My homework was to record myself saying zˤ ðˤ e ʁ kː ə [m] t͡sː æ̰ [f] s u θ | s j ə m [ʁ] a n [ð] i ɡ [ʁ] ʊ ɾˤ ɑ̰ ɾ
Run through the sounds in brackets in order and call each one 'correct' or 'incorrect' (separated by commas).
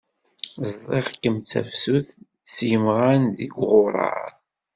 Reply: correct, correct, correct, correct, correct